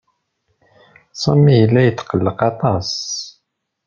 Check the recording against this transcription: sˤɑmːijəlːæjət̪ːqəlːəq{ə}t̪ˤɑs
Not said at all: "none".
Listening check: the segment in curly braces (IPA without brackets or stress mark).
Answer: ɑ